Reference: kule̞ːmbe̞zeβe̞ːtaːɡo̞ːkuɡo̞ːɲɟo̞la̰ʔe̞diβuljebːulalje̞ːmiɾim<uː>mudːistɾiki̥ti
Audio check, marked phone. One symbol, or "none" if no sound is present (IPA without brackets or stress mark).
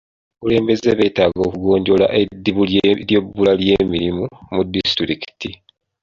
u